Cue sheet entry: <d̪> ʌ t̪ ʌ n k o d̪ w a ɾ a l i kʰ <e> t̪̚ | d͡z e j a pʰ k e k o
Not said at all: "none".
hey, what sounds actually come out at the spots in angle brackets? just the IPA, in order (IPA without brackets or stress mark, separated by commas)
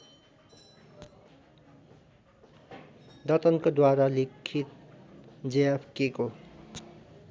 d̪, i